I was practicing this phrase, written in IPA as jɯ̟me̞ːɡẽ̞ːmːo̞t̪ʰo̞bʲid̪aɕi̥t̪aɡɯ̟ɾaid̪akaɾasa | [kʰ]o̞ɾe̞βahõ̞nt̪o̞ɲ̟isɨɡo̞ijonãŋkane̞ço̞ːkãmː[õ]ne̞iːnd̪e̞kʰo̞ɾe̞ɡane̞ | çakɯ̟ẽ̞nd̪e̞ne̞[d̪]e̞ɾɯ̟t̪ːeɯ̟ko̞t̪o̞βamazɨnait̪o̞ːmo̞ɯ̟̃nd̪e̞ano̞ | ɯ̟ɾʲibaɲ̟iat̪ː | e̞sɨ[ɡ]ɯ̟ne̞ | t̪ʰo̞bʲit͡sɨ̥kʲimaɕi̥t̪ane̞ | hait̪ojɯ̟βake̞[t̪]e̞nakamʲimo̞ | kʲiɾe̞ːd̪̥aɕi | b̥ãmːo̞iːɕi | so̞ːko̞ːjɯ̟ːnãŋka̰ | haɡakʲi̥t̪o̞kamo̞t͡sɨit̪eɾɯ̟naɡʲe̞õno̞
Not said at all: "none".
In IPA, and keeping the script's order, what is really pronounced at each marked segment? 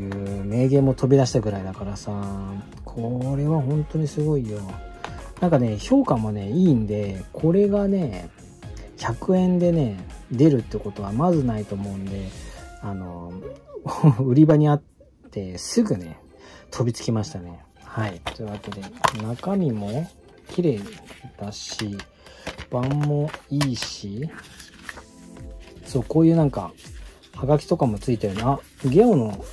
kʰ, o, d̪, ɡ, d̪

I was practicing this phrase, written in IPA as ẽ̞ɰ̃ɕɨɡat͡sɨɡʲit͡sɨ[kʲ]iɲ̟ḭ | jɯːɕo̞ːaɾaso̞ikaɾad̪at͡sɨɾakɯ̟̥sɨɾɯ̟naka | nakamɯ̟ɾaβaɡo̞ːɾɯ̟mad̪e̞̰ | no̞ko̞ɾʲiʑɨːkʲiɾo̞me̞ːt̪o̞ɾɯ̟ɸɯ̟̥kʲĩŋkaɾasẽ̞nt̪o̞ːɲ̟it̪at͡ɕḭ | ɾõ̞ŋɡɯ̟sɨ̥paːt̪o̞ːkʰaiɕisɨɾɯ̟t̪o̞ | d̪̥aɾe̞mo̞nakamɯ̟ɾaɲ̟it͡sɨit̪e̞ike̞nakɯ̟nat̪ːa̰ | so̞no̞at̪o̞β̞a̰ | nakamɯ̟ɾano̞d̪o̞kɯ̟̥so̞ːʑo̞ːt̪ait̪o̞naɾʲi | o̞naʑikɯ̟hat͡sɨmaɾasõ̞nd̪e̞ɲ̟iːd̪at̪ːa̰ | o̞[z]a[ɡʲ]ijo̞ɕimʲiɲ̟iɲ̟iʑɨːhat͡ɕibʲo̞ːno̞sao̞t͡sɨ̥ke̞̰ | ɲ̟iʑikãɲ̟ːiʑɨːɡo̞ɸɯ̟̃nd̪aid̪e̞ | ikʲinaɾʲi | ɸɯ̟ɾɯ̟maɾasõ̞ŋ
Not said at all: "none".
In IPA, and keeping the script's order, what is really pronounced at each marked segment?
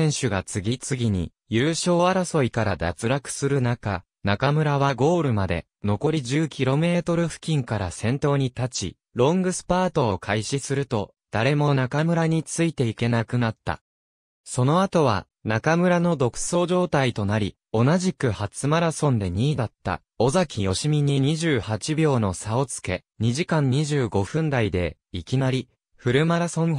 ɡʲ, z, kʲ

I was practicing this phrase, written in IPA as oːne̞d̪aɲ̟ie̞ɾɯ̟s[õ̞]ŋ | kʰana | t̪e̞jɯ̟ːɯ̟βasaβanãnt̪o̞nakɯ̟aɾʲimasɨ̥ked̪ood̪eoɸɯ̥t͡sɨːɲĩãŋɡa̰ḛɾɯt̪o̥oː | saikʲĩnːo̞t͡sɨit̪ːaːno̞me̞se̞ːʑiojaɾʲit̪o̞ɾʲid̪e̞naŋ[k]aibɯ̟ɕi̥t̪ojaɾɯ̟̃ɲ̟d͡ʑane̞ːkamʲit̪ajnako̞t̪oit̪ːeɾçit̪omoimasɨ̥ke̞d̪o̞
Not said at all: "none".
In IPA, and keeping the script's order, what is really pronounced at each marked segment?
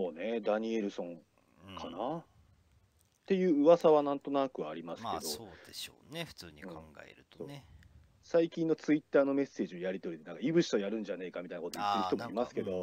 õ̞, k

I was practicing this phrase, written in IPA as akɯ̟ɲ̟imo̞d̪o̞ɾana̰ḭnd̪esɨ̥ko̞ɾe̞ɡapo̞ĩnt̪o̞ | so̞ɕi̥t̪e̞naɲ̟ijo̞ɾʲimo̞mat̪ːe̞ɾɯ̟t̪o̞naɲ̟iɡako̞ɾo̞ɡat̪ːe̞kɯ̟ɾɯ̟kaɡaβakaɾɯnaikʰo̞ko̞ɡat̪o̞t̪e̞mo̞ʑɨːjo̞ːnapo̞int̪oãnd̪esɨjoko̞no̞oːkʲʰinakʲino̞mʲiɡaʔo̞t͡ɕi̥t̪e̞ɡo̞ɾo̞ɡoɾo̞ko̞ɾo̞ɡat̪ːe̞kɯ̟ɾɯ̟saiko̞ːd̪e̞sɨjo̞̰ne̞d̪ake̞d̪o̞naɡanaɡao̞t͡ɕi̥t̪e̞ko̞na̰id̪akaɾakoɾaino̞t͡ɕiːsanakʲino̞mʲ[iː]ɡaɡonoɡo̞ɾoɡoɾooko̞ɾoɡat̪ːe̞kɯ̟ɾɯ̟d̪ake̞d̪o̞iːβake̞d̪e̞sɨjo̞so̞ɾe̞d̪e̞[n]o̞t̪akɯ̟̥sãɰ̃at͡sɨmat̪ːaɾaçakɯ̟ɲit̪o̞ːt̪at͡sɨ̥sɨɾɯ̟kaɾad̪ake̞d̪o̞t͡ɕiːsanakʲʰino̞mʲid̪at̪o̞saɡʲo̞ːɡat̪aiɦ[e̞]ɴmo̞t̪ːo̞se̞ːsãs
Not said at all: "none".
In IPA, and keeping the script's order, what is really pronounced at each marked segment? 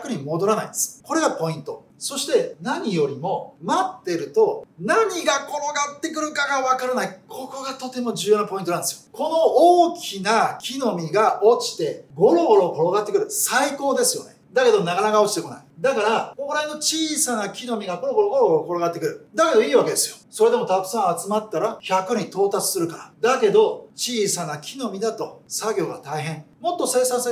i, m, ẽ̞

